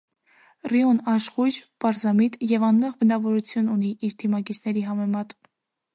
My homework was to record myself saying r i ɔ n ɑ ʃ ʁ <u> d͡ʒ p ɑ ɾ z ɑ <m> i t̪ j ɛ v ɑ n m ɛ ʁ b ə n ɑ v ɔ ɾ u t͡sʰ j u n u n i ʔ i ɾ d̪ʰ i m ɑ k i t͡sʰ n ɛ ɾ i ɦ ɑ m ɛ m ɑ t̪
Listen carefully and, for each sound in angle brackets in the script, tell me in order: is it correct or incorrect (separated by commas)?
correct, correct